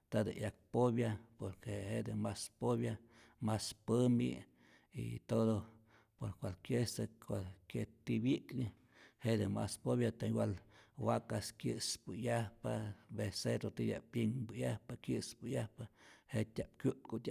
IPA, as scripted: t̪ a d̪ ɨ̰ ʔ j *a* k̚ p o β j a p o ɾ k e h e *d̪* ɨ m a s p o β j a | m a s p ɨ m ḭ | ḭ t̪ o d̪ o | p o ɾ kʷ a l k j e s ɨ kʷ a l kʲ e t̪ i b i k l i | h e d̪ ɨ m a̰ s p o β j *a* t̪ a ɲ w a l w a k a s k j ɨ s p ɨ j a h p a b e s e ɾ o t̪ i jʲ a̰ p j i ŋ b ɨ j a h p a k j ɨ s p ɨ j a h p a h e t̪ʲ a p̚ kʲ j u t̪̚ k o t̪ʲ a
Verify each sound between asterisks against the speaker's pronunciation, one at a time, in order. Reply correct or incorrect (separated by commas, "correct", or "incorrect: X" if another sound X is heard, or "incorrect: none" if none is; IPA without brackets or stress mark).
correct, correct, correct